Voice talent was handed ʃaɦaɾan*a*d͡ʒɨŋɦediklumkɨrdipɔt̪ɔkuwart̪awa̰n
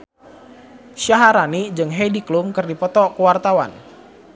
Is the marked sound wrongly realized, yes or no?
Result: yes